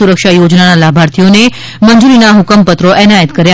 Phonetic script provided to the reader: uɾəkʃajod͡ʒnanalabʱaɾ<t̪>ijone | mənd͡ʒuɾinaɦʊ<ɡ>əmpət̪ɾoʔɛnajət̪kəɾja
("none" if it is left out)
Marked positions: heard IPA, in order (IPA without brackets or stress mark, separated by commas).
t̪ʰ, k